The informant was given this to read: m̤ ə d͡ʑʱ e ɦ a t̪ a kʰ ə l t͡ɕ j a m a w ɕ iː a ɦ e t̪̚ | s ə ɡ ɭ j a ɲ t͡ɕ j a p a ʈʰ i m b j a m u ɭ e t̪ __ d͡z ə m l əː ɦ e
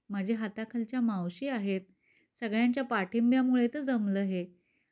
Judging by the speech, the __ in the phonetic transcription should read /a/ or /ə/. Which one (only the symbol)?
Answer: ə